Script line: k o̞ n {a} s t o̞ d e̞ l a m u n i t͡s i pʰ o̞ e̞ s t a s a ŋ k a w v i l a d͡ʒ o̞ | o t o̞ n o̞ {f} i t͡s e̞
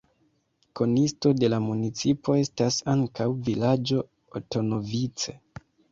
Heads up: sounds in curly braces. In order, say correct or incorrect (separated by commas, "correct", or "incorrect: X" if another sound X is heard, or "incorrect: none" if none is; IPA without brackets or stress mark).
incorrect: i, incorrect: v